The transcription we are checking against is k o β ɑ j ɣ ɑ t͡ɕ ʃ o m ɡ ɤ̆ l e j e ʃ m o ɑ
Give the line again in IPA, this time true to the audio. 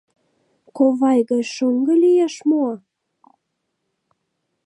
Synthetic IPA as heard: k o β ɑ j ɣ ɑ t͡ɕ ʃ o ŋ ɡ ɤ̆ l i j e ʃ m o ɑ